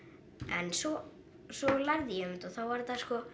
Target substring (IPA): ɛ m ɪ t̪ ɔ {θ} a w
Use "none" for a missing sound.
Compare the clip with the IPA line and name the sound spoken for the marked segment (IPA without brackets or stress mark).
θ